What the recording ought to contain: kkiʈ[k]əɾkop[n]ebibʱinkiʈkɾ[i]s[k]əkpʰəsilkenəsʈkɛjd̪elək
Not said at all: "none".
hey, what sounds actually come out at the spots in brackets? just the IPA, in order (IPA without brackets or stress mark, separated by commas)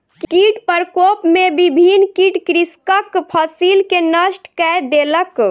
p, m, i, k